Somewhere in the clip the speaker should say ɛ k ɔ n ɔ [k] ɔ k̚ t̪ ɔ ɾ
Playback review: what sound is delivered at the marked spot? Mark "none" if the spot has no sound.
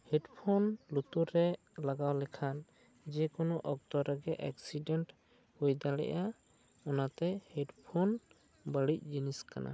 ʔ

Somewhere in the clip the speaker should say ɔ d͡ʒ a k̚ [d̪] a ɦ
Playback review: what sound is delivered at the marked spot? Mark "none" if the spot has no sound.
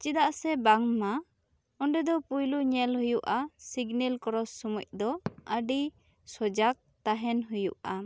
t̪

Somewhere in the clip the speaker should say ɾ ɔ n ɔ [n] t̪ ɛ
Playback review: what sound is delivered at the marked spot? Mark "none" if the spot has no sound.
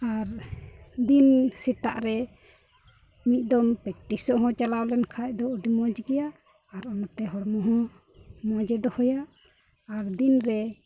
none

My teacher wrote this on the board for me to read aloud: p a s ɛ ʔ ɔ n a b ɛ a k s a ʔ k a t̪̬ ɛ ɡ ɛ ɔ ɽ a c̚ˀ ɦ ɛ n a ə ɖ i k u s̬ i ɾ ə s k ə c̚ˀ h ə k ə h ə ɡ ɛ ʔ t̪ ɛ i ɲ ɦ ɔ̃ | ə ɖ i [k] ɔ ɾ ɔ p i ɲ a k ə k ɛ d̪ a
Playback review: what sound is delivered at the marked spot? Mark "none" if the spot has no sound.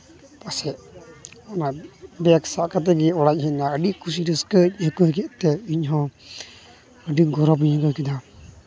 ɡ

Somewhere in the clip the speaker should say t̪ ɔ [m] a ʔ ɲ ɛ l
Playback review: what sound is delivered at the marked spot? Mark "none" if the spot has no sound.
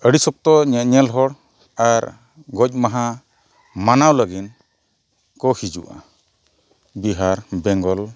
ɲ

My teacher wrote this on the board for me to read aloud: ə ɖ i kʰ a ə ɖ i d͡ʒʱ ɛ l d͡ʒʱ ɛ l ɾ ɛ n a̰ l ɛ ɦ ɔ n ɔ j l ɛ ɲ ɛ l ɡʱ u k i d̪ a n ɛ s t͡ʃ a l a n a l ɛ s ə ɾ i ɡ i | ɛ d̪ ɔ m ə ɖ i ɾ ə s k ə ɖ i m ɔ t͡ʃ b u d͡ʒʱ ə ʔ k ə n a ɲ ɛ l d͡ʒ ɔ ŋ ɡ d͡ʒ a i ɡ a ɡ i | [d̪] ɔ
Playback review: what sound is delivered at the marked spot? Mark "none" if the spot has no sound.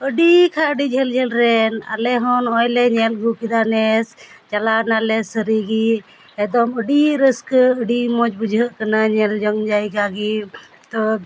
t̪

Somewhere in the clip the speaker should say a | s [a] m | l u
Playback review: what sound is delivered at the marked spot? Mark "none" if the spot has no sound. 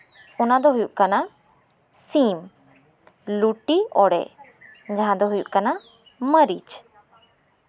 i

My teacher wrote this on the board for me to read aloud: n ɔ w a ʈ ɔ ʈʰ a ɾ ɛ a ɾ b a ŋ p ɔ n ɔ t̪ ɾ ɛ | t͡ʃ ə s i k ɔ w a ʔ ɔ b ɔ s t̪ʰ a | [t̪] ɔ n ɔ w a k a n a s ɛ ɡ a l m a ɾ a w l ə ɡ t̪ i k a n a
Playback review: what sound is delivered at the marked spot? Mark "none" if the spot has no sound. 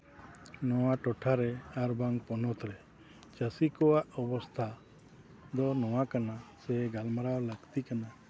d̪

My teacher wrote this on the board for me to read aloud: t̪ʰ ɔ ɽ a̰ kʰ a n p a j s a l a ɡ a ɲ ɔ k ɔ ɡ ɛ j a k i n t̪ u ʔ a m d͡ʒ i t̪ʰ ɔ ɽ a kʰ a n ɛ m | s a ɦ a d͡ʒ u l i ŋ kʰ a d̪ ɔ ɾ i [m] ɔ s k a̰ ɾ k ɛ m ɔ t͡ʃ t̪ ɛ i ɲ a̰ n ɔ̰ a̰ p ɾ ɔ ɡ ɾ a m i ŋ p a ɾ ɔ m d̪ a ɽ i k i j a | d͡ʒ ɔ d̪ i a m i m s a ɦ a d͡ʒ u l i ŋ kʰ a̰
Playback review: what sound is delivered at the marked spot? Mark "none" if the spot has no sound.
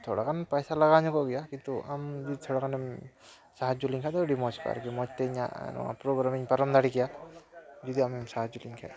m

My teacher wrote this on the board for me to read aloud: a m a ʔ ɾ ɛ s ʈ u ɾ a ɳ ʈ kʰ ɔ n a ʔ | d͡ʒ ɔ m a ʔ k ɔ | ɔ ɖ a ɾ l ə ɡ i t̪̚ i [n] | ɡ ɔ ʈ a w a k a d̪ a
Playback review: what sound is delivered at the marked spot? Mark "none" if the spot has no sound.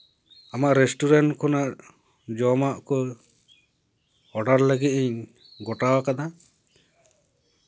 ɲ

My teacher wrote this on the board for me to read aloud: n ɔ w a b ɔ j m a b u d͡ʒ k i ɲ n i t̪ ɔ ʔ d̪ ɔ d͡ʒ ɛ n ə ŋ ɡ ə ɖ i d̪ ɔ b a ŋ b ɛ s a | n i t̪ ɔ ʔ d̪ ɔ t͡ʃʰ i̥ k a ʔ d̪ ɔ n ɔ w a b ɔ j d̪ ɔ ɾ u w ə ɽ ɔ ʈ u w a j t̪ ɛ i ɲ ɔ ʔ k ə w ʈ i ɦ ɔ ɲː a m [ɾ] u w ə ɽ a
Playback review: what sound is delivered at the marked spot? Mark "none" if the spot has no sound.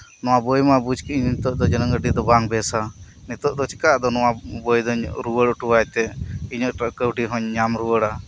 ɾ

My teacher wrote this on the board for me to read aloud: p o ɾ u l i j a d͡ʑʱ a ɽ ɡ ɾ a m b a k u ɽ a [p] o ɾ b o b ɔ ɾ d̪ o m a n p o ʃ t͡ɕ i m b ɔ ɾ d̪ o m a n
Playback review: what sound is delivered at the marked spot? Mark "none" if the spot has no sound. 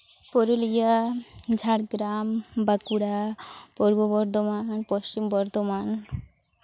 p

